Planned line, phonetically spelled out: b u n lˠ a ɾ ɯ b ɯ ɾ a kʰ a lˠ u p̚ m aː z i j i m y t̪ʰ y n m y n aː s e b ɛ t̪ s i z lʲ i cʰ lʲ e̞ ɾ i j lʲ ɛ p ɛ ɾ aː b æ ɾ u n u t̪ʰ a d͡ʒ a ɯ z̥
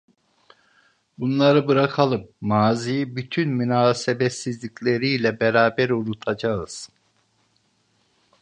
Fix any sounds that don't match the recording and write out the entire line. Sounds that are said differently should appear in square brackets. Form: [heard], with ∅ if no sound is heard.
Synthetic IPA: b u n lˠ a ɾ ɯ b ɯ ɾ a kʰ a lˠ [ɯ] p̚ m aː z i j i [b] y t̪ʰ y n m y n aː s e b ɛ t̪ s i z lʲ i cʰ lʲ e̞ ɾ i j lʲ ɛ [b] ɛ ɾ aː b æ ɾ u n u t̪ʰ a d͡ʒ a ɯ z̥